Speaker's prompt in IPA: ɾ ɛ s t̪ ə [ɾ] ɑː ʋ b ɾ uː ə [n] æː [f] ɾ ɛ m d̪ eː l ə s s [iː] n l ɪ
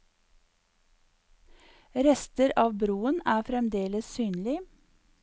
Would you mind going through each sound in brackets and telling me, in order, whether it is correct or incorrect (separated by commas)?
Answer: correct, correct, correct, incorrect